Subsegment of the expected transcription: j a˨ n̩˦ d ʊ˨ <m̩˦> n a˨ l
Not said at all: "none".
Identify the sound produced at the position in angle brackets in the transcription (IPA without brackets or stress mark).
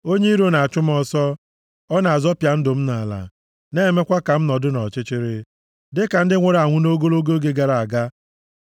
m̩˦